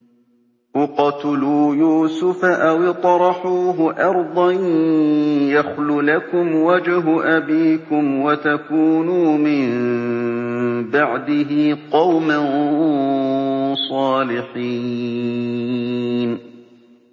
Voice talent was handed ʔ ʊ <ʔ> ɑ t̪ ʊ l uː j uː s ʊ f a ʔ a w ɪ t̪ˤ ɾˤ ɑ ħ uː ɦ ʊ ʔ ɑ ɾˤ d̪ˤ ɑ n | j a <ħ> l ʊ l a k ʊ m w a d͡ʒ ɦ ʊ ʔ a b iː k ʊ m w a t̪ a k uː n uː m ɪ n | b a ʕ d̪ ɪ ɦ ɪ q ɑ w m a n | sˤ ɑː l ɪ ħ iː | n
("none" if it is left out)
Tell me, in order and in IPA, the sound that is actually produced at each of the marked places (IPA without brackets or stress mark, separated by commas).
q, x